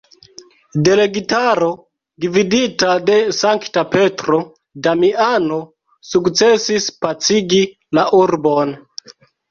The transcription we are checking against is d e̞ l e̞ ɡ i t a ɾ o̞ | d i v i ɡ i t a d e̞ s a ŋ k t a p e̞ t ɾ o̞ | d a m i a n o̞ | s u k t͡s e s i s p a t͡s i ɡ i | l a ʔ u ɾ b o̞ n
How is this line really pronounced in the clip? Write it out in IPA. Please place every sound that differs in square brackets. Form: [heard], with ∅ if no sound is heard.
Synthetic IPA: d e̞ l e̞ ɡ i t a ɾ o̞ | d i v i [d] i t a d e̞ s a ŋ k t a p e̞ t ɾ o̞ | d a m i a n o̞ | s u k t͡s e s i s p a t͡s i ɡ i | l a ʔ u ɾ b o̞ n